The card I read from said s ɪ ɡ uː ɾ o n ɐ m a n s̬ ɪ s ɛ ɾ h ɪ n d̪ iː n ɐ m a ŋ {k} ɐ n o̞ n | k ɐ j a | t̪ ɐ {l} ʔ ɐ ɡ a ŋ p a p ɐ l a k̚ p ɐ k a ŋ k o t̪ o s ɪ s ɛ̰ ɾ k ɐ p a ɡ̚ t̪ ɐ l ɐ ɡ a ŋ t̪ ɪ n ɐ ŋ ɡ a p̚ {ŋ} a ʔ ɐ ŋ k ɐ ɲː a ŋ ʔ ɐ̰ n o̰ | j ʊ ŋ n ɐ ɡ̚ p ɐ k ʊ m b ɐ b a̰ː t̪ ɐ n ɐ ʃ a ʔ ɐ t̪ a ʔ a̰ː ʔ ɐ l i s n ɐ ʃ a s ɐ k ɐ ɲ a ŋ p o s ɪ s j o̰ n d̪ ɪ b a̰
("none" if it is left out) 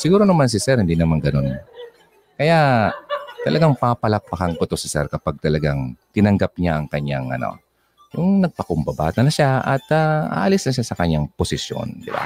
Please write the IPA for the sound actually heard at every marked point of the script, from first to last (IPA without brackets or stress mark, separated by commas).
ɡ, l, ɲ